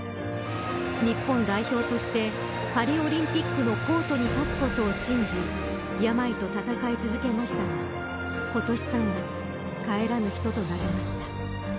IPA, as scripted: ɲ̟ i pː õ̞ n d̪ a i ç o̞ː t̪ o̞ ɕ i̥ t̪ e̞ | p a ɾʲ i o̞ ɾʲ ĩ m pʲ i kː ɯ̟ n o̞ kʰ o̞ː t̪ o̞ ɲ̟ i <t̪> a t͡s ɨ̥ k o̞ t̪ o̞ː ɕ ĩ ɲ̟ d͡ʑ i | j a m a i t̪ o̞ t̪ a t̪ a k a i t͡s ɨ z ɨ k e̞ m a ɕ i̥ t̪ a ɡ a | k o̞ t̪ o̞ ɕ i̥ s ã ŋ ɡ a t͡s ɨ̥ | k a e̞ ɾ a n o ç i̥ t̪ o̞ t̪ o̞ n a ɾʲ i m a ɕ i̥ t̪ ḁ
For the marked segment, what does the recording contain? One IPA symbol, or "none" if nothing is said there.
t̪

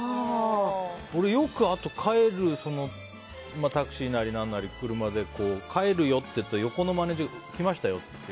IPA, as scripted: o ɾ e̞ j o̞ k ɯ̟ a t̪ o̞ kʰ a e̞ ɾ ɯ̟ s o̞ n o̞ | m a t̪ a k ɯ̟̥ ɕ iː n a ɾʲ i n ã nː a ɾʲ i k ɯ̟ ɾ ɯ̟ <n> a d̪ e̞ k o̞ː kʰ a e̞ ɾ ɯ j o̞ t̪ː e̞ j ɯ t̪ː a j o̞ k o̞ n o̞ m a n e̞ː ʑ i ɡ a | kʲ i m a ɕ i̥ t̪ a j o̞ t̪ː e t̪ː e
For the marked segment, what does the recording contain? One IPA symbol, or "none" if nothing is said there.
m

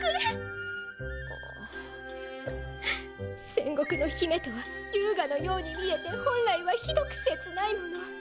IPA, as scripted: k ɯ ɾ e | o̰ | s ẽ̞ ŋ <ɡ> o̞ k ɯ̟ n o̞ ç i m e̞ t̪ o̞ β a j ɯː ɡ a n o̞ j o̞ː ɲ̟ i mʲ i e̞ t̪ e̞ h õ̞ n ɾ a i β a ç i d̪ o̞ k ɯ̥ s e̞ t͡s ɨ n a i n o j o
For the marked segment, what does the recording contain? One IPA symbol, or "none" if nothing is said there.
ɡ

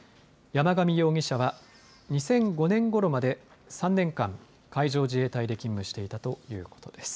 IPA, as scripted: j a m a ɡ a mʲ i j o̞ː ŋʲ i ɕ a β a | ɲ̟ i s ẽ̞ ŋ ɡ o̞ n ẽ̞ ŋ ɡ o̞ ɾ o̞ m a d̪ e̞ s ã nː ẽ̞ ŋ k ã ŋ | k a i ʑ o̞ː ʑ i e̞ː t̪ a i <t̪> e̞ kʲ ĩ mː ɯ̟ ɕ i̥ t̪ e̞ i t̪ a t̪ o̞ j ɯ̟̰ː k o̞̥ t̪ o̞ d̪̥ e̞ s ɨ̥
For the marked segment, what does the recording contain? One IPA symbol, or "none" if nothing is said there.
d̪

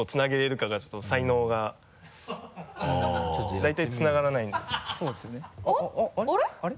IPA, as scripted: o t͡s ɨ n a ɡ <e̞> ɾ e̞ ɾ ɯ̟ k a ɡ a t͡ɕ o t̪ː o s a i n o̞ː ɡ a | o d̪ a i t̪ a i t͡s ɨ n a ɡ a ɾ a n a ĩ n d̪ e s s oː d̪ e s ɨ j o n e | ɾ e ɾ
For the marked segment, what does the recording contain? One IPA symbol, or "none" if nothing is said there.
e̞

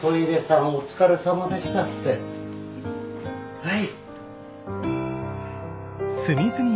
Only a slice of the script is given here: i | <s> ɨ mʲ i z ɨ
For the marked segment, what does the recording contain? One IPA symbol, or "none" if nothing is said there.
s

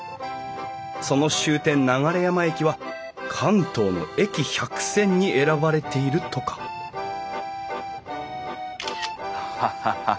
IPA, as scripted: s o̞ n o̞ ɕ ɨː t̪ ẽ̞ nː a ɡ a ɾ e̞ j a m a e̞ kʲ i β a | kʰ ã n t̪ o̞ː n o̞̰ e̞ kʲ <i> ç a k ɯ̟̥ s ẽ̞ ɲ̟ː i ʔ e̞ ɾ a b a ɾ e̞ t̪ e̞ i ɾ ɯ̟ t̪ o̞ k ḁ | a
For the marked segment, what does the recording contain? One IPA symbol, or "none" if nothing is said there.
i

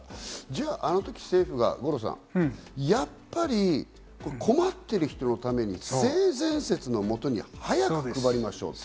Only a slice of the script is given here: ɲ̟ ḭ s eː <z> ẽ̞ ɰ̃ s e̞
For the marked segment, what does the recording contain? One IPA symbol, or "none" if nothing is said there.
z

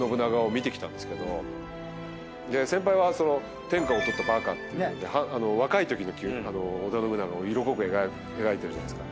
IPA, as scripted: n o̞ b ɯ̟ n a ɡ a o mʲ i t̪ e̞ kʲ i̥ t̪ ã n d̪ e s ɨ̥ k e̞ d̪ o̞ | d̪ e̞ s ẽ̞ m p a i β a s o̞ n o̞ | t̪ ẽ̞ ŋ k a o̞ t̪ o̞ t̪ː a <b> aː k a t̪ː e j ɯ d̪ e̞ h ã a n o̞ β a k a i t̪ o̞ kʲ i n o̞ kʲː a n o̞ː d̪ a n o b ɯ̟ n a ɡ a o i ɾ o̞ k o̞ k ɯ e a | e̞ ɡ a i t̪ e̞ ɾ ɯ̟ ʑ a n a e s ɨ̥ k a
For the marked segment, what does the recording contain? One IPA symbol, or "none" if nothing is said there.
b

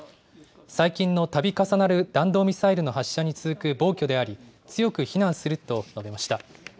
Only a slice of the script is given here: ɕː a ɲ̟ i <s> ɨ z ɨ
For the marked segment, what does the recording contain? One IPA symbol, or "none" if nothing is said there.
t͡s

